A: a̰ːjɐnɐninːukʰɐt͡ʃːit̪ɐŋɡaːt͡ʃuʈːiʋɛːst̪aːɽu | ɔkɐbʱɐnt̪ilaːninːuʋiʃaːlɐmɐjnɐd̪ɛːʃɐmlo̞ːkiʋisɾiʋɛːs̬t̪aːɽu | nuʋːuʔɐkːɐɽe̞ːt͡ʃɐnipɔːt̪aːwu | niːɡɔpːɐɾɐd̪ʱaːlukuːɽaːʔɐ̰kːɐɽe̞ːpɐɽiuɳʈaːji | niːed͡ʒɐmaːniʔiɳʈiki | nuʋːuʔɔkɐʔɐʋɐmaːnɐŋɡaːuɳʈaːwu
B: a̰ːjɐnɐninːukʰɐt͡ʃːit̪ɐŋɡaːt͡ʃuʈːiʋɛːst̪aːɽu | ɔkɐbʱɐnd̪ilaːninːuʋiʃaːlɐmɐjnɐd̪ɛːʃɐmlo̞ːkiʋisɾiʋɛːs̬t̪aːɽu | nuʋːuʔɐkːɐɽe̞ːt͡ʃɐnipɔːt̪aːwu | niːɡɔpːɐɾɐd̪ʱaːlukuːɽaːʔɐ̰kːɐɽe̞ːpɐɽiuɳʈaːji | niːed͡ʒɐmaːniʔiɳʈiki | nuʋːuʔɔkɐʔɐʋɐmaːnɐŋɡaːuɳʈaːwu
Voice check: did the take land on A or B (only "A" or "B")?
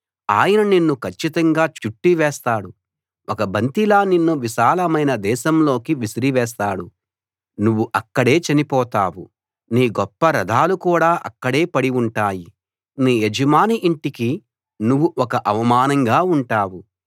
A